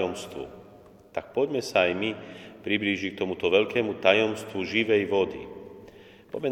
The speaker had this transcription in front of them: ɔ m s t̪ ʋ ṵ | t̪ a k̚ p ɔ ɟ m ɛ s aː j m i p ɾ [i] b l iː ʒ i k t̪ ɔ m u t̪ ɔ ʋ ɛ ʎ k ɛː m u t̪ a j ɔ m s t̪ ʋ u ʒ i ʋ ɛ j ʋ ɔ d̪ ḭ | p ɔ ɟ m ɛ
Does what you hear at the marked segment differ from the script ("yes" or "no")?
no